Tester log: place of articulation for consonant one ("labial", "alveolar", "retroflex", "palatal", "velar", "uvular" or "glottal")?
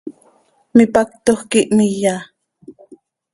labial